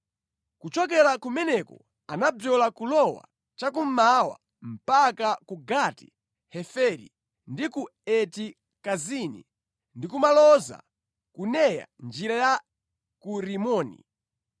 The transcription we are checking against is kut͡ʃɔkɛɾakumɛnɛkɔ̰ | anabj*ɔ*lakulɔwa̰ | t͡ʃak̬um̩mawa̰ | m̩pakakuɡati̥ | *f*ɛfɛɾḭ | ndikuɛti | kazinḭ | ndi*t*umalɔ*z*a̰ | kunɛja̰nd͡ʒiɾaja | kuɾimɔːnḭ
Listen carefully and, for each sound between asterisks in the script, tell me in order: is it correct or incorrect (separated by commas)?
correct, incorrect, incorrect, correct